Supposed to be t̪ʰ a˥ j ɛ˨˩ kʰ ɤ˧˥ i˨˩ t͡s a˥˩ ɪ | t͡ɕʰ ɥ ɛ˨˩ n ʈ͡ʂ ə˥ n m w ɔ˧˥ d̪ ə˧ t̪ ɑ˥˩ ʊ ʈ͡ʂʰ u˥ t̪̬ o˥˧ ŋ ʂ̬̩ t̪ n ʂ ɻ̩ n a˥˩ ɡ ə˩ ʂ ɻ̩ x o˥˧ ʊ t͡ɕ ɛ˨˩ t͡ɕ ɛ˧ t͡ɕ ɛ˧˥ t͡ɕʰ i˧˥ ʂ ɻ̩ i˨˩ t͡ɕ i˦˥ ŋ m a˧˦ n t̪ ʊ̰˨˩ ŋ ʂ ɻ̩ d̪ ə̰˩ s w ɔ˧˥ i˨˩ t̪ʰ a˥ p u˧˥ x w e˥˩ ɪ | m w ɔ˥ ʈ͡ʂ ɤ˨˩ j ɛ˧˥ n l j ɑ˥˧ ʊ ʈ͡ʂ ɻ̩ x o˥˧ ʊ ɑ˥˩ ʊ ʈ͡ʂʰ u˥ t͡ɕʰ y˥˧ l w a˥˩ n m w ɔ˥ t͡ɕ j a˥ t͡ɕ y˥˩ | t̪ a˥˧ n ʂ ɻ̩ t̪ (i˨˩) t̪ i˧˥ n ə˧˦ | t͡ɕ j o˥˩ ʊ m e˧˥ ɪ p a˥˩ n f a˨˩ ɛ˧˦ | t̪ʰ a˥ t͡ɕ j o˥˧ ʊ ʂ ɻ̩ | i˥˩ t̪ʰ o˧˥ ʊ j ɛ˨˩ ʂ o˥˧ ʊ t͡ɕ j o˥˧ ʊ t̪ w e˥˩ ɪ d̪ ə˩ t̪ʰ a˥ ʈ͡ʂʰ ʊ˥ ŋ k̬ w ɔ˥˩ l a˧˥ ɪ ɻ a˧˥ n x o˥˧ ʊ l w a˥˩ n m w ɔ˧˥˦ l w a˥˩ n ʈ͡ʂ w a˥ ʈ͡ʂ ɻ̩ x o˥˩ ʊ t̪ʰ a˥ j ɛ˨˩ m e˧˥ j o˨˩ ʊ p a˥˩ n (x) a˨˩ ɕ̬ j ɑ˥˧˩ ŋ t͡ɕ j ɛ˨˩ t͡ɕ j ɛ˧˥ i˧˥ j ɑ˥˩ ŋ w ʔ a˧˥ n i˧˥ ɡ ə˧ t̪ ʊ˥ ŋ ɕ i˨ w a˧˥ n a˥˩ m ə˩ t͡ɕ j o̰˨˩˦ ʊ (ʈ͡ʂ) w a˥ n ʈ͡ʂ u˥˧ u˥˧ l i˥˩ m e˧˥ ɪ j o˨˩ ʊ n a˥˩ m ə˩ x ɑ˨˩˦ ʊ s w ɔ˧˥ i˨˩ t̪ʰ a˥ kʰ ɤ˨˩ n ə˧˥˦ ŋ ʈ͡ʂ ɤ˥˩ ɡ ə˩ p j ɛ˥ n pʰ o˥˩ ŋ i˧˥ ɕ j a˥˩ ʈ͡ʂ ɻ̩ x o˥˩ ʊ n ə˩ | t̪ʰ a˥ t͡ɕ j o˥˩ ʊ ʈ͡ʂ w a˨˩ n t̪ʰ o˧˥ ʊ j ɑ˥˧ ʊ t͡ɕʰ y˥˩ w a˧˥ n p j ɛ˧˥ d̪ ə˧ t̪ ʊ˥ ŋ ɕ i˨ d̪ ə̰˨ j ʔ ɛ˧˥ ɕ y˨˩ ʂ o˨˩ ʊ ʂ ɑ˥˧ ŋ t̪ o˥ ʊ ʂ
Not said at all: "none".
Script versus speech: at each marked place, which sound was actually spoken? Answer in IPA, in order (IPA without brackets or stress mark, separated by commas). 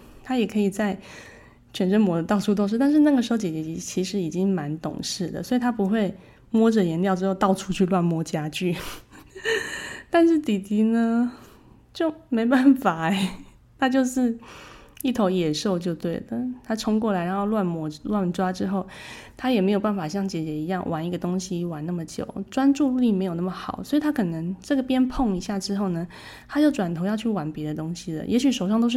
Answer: i˨˩, f, ʈ͡ʂ